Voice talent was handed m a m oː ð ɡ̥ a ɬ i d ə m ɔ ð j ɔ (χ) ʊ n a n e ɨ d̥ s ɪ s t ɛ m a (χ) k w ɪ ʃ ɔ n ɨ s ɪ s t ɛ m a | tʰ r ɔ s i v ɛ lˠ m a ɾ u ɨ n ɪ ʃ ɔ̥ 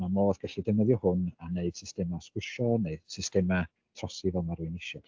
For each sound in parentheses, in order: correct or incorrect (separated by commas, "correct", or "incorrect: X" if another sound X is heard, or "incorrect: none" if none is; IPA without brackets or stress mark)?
incorrect: h, incorrect: s